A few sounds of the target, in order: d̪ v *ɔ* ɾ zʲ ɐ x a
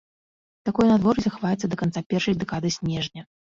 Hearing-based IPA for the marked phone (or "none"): ɔ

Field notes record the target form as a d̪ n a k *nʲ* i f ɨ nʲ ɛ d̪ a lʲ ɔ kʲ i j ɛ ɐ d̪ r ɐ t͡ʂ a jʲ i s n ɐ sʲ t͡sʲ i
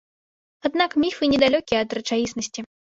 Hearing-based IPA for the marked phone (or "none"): mʲ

